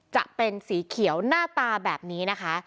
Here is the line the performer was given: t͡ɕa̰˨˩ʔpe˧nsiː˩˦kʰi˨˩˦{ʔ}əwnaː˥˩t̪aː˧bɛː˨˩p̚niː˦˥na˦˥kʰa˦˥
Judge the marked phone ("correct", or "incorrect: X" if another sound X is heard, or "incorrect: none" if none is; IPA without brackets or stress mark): incorrect: none